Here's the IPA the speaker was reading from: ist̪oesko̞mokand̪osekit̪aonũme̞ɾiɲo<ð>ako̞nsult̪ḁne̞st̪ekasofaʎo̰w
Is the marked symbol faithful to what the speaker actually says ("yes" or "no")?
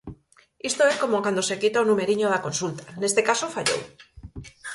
yes